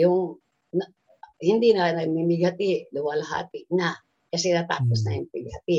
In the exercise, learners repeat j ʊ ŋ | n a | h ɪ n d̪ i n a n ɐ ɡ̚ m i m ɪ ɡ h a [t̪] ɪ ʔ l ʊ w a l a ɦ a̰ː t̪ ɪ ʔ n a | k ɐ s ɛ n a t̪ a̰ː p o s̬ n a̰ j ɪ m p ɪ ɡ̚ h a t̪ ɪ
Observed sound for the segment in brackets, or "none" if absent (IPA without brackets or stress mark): t̪